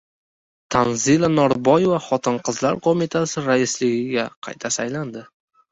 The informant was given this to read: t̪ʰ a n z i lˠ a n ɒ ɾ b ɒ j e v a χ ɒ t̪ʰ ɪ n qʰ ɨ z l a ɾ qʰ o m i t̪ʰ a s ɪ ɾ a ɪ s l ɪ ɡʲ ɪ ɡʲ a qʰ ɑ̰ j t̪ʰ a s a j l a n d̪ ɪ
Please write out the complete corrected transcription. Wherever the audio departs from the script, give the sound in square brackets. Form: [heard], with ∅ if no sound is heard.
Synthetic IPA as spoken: t̪ʰ a n z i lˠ a n ɒ ɾ b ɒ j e v a χ ɒ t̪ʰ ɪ n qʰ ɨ z l a ɾ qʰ o m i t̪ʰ a s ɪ ɾ a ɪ s l ɪ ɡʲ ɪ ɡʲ a qʰ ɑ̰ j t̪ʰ a s a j l a n d̪ ɪ